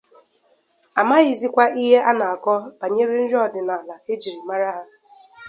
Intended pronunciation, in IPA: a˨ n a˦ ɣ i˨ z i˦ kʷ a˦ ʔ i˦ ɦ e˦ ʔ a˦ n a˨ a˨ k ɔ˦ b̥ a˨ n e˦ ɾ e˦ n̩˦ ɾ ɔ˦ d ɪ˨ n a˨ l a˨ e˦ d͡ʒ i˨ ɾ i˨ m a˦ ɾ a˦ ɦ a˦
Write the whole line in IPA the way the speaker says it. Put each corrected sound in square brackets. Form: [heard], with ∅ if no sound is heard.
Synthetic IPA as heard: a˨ [m] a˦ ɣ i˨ z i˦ kʷ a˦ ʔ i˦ ɦ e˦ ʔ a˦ n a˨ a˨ k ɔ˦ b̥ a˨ [ɲ] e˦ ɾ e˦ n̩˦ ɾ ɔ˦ d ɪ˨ n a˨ l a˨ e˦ d͡ʒ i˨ ɾ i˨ m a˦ ɾ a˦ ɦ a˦